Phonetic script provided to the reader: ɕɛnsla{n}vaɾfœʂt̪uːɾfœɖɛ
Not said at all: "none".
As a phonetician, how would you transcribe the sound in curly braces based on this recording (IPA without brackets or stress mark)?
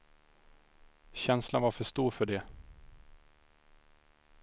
n